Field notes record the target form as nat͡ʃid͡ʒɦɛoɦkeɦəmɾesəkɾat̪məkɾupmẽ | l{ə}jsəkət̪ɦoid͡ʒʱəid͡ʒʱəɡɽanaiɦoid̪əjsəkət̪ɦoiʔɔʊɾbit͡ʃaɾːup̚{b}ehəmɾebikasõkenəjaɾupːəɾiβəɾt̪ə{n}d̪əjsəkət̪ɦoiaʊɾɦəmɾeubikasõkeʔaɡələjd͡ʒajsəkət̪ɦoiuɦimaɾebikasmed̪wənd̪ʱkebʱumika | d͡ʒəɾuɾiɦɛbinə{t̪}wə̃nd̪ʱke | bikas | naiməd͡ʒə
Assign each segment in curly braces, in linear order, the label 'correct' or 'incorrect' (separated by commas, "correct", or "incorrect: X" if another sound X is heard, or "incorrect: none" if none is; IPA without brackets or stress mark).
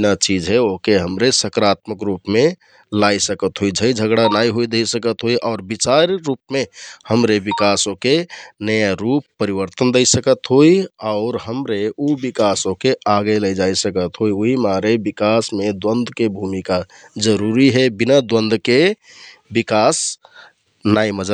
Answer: incorrect: a, incorrect: m, correct, incorrect: d̪